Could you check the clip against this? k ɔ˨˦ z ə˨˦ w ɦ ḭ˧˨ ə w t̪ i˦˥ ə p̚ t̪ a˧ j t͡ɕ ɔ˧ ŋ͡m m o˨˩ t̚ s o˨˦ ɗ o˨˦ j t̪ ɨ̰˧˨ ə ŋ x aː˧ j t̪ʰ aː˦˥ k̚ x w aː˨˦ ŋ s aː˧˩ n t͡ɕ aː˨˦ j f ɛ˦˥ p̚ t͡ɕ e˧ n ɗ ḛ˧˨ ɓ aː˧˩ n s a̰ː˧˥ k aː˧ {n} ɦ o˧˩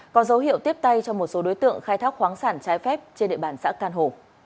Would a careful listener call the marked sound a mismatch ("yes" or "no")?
no